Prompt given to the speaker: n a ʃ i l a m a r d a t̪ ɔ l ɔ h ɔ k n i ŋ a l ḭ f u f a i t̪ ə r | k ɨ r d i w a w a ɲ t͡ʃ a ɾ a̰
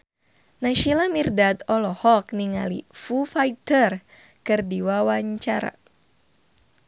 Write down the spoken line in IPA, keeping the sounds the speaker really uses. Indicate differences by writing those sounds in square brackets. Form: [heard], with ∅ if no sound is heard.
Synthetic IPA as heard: n a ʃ i l a m [i] r d a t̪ ɔ l ɔ h ɔ k n i ŋ a l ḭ f u f a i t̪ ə r | k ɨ r d i w a w a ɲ t͡ʃ a ɾ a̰